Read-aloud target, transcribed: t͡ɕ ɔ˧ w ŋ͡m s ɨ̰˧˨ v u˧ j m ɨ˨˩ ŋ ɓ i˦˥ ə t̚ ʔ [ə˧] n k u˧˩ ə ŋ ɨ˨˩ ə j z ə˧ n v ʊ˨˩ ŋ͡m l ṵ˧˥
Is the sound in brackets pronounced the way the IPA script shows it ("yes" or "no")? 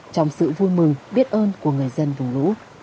no